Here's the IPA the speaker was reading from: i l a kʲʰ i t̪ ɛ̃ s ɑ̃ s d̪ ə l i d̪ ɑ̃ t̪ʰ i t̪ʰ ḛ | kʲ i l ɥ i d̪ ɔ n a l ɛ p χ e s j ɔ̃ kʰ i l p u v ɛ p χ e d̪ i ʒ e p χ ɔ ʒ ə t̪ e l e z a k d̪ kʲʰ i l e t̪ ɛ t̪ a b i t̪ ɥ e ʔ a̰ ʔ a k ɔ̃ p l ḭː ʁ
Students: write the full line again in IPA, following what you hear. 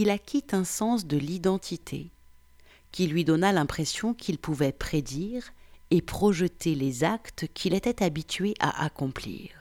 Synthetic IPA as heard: i l a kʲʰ i t̪ ɛ̃ s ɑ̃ s d̪ ə l i d̪ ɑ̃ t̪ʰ i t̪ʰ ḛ | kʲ i l ɥ i d̪ ɔ n a l ɛ̃ p χ e s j ɔ̃ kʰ i l p u v ɛ p χ e d̪ i ʁ e p χ ɔ ʒ ə t̪ e l e z a k t̪ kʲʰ i l e t̪ ɛ t̪ a b i t̪ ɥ e ʔ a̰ ʔ a k ɔ̃ p l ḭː ʁ